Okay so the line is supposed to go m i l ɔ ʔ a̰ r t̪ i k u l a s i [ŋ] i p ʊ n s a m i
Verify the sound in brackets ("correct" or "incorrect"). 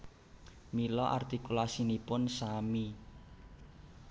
incorrect